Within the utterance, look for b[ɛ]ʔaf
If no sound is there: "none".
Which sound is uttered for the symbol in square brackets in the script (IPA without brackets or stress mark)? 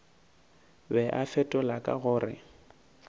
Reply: ɛ